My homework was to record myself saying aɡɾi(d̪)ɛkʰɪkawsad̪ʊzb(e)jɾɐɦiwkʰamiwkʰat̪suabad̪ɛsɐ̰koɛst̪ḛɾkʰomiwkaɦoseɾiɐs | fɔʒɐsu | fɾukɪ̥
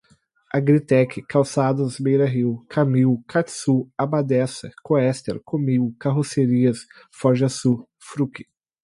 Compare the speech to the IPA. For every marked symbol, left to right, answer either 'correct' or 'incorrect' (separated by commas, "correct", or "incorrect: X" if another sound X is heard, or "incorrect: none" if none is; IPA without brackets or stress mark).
incorrect: t̪, correct